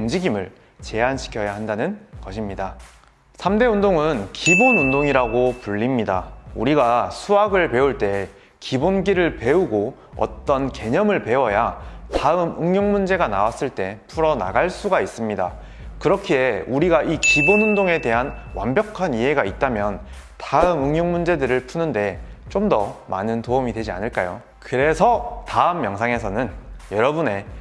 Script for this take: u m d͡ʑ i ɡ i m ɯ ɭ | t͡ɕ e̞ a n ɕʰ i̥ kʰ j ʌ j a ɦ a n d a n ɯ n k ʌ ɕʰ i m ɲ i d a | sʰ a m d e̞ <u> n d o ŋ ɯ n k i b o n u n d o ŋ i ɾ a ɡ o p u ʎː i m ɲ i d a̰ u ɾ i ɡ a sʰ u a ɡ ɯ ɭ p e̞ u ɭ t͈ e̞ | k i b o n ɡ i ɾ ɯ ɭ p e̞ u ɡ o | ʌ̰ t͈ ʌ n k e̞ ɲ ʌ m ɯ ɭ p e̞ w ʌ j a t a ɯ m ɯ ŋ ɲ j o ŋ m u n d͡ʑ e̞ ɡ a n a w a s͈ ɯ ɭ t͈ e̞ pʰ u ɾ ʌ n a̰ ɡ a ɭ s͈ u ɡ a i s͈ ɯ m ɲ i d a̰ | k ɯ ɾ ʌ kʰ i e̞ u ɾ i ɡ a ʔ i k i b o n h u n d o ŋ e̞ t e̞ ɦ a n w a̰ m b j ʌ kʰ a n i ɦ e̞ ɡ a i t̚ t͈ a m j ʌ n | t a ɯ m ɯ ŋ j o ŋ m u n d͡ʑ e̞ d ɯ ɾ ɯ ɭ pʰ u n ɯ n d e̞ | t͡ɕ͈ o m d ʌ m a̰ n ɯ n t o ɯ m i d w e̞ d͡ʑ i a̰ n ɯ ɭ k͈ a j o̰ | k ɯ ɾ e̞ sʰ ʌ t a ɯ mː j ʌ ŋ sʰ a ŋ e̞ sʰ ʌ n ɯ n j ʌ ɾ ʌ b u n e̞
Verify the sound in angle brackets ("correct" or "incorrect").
correct